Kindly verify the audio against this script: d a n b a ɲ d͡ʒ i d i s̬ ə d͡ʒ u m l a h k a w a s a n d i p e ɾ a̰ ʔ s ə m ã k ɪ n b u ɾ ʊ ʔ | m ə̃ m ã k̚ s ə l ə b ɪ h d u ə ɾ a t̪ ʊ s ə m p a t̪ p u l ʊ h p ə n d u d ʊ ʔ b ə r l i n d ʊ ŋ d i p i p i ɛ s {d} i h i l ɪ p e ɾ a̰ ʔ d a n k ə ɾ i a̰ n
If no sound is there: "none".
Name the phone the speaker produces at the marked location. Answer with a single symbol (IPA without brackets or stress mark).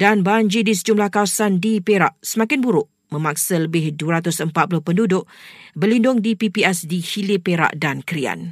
d